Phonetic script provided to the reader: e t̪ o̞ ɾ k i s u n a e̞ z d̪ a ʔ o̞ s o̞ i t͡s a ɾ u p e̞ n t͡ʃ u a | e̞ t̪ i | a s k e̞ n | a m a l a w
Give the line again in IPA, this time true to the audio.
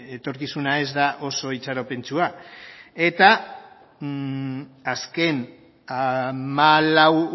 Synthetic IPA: e t̪ o̞ ɾ k i s u n a e̞ z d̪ a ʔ o̞ s o̞ i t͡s a ɾ o p e̞ n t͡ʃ u a | e̞ t̪ a | a s k e̞ n | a m a l a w